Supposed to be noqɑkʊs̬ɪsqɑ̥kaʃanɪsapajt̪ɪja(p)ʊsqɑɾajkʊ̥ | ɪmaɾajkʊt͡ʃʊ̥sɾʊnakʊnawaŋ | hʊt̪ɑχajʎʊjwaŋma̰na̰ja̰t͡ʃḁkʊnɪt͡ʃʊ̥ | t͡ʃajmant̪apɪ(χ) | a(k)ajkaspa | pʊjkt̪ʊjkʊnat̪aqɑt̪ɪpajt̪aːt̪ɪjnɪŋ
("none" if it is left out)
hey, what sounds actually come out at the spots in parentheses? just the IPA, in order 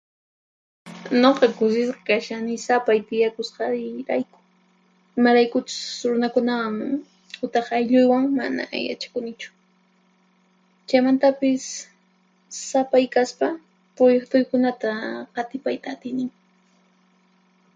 k, s, p

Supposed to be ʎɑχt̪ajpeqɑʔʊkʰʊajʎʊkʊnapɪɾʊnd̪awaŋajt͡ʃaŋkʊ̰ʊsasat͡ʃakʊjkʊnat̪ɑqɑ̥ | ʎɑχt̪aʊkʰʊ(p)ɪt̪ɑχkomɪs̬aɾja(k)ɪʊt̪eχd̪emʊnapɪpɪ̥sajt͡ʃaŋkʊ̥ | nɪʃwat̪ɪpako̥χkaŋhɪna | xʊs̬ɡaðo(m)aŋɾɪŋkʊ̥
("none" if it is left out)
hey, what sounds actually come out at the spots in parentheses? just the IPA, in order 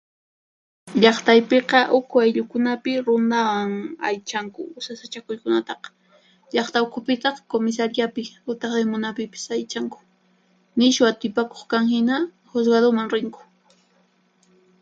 p, p, m

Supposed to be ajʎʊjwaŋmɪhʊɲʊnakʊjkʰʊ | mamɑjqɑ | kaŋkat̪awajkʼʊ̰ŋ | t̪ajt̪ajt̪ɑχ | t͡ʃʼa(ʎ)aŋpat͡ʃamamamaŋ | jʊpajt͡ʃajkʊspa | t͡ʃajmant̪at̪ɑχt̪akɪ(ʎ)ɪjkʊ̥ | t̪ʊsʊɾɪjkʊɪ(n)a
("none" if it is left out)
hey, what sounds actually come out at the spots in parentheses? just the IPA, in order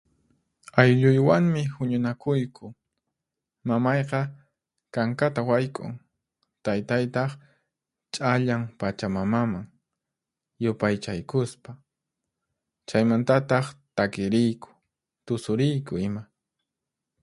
ʎ, ɾ, m

